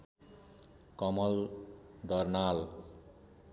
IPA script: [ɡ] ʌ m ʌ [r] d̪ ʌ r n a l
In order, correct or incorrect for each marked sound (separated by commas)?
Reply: incorrect, incorrect